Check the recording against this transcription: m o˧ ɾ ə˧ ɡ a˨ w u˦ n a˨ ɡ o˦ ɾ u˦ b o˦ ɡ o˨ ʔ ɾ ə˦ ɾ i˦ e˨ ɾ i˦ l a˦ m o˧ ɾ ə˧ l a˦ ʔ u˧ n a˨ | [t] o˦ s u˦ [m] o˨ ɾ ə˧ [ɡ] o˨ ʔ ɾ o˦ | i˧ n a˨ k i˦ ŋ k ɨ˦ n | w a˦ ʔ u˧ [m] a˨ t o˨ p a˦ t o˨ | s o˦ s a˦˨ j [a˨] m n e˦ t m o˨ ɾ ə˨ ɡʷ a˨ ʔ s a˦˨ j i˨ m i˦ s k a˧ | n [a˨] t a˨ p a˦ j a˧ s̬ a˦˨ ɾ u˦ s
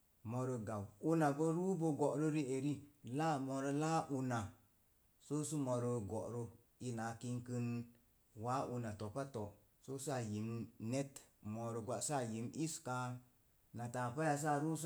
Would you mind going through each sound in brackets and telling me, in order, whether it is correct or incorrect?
incorrect: s, correct, correct, incorrect: n, incorrect: i˨, correct

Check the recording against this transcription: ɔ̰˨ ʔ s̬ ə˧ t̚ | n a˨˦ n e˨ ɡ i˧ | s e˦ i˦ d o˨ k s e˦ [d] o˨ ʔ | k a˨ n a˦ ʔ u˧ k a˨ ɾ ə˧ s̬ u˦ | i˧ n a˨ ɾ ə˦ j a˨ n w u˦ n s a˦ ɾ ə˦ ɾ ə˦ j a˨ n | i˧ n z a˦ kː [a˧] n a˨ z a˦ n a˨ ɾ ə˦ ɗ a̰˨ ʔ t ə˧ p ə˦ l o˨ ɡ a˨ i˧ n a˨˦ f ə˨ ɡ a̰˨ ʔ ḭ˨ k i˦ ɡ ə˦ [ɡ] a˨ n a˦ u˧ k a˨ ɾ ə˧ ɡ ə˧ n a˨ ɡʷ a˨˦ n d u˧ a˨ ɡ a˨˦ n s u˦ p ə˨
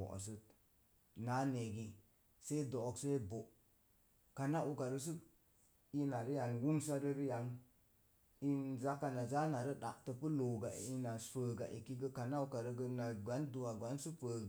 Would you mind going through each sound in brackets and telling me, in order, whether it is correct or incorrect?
incorrect: b, correct, incorrect: k

